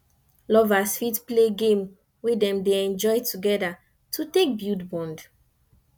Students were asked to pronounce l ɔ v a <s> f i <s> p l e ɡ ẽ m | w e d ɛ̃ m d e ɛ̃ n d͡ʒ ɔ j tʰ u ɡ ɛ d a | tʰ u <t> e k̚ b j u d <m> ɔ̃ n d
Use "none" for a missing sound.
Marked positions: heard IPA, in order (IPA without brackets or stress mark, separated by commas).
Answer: s, t, t, b